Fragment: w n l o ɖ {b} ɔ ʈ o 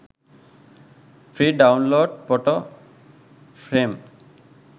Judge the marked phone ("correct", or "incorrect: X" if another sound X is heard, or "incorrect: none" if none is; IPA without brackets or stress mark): incorrect: p